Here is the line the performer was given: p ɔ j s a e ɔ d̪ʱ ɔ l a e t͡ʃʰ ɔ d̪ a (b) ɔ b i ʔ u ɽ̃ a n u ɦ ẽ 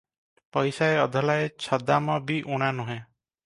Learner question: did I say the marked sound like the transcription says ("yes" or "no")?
no